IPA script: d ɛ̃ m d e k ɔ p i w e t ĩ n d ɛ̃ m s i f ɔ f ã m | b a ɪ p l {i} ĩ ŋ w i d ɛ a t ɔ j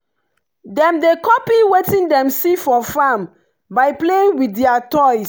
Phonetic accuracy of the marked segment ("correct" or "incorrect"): incorrect